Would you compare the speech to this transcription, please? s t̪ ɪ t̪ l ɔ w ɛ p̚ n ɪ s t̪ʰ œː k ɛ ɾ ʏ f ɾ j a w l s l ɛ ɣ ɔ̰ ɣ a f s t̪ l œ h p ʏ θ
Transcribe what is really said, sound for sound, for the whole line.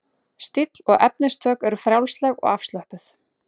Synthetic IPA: s t̪ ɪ t̪ l ɔ ɣ ɛ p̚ n ɪ s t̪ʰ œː k ɛ ɾ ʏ f ɾ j a w l s l ɛ ɣ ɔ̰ ɣ a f s t̪ l œ h p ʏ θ